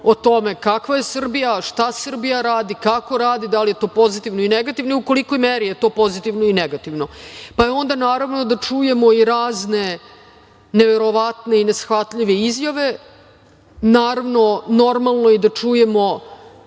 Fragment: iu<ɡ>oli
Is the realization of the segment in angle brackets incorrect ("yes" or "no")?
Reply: yes